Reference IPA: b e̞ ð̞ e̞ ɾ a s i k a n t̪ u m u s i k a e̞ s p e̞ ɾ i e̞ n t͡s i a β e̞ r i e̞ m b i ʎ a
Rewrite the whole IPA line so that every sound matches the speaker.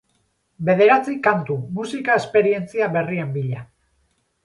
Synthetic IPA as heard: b e̞ ð̞ e̞ ɾ a t͡s i k a n t̪ u m u s i k a e̞ s p e̞ ɾ i e̞ n t͡s i a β e̞ r i e̞ m b i ʎ a